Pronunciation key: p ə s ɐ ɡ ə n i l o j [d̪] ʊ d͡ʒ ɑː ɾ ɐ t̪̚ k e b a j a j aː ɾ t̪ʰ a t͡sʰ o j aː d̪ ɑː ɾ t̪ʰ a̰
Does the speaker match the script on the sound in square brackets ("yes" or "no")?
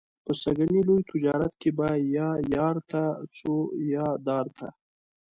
no